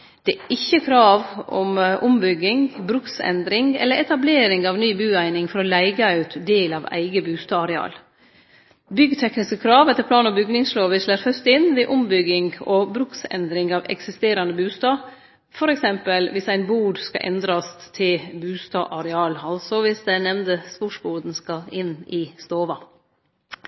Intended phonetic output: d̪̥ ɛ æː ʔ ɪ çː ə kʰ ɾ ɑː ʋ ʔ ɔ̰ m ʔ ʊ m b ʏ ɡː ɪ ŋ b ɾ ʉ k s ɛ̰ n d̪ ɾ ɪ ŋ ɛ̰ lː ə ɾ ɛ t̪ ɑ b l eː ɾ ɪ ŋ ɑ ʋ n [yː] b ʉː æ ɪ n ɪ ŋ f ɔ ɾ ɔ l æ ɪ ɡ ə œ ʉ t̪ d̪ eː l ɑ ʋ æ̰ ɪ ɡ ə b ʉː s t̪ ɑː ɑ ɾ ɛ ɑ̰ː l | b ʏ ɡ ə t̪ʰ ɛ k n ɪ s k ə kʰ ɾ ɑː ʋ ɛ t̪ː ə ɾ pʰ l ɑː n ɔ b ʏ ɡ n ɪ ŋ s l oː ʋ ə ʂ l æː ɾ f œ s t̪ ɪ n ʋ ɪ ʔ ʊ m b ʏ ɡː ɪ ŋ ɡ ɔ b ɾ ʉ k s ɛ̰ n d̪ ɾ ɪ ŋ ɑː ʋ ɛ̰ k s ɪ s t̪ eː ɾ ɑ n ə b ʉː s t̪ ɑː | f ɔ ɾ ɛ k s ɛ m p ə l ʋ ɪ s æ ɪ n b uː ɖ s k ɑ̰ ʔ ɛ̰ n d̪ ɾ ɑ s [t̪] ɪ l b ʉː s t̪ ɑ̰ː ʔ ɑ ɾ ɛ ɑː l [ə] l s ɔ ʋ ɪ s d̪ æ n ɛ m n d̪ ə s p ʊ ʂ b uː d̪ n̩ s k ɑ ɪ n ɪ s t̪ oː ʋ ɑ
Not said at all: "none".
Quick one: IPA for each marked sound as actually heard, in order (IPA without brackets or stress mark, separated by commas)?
yː, t̪ʰ, ɑ